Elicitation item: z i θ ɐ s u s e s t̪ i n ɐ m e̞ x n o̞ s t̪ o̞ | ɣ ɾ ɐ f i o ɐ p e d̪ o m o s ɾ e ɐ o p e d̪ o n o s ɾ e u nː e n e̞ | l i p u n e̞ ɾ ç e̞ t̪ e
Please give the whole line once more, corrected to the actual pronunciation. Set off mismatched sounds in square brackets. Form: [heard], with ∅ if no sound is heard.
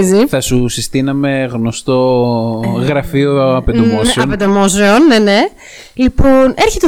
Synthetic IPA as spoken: z i θ ɐ s u s [i] s t̪ i n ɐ m e̞ [ɣ] n o̞ s t̪ o̞ | ɣ ɾ ɐ f i o ɐ p e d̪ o m o s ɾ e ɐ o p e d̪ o [m] o s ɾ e [o] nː e n e̞ | l i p [o] n e̞ ɾ ç e̞ t̪ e